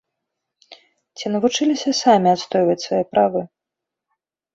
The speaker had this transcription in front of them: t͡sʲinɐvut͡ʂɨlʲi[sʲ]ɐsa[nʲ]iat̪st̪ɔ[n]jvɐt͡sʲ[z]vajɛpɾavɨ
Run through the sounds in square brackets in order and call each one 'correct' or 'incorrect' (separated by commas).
correct, incorrect, incorrect, incorrect